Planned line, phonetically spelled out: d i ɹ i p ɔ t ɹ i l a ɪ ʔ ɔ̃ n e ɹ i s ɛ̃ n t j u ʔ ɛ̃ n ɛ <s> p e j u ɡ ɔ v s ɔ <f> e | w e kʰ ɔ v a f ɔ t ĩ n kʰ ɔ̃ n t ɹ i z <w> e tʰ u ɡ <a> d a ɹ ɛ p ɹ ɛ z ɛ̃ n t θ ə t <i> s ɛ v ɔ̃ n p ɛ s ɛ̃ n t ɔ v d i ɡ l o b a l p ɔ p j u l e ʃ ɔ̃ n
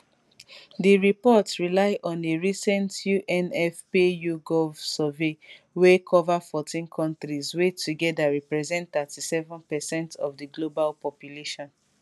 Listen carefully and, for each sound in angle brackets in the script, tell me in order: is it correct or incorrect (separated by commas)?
incorrect, incorrect, correct, incorrect, correct